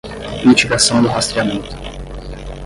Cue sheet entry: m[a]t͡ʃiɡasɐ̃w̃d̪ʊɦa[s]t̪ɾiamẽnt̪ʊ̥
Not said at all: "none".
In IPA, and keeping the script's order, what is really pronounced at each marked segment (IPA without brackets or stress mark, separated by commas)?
i, s